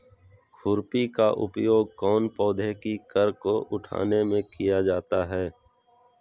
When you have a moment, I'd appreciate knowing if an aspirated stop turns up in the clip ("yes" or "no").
yes